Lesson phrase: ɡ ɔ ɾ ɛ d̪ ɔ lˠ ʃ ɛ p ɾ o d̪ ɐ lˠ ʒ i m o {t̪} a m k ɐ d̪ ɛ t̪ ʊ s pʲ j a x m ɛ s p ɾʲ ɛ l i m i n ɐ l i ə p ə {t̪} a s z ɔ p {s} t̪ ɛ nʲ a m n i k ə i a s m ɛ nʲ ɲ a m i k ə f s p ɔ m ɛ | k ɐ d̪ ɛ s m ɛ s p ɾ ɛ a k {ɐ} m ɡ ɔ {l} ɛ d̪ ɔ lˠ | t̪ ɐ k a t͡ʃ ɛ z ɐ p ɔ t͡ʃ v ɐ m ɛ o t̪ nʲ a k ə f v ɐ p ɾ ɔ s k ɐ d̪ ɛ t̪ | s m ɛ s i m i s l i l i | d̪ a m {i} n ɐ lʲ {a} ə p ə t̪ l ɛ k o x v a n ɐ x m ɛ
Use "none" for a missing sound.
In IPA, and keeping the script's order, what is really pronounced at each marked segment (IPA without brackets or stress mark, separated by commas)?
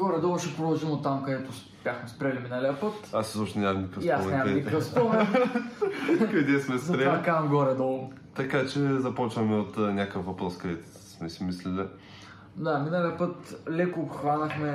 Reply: t̪, t̪, ʃ, a, ɾ, i, i